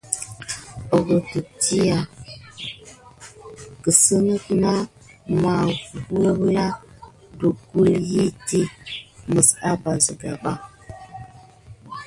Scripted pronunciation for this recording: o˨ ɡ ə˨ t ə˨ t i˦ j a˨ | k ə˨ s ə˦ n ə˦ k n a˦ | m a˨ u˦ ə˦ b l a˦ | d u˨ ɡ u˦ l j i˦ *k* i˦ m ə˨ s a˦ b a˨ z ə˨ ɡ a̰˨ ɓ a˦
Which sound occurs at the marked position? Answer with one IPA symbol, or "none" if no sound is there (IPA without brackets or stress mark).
t